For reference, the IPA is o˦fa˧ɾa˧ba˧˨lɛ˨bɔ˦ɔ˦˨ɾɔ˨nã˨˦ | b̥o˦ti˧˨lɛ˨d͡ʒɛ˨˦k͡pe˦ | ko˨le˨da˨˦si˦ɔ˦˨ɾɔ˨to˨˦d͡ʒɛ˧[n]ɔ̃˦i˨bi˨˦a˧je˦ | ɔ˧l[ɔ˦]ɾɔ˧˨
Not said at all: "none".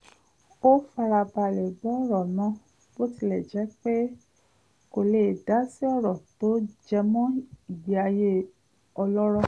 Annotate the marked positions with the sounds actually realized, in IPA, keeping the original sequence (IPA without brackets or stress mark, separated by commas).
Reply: m, ɔ˦